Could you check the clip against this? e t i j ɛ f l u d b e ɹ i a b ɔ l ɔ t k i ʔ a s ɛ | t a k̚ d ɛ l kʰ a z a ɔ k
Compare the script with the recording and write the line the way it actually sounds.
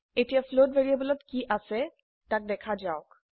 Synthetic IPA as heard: e t i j a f l o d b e ɹ i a b ɔ l ɔ t k i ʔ a s ɛ | t a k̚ d ɛ kʰ a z a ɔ k

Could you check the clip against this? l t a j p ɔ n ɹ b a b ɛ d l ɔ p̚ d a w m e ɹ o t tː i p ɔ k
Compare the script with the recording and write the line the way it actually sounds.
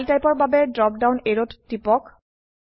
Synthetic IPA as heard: l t a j p ɔ ɹ b a b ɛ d ɹ ɔ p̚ d a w n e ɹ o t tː i p ɔ k

